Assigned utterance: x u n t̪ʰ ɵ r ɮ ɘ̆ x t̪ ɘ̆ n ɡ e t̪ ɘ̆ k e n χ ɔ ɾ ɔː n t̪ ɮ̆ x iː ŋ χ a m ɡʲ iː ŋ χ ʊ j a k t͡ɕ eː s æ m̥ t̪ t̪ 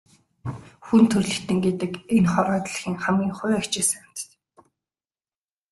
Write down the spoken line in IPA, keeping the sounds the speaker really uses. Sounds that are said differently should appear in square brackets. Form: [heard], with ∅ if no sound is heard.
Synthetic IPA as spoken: x u n t̪ʰ ɵ r ɮ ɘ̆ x t̪ ɘ̆ [ŋ] ɡ e t̪ ɘ̆ k e n χ ɔ ɾ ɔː [∅] t̪ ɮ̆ x iː ŋ χ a m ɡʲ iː ŋ χ ʊ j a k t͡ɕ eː s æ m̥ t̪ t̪